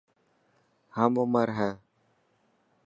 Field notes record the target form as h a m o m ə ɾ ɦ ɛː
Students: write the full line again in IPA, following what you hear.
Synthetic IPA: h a m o m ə ɾ ɦ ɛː